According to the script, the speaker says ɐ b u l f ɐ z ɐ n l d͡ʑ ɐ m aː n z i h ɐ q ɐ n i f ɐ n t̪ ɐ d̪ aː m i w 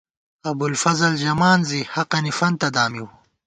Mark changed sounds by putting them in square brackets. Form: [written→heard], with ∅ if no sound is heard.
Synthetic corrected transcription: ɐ b u l f ɐ z ɐ [n→∅] l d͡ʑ ɐ m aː n z i h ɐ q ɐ n i f ɐ n t̪ ɐ d̪ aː m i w